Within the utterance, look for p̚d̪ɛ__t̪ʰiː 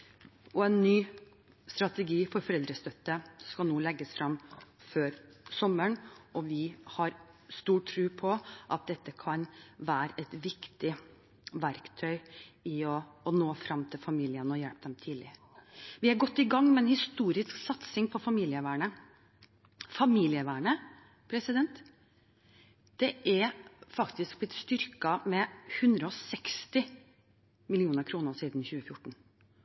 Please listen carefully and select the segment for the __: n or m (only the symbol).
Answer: m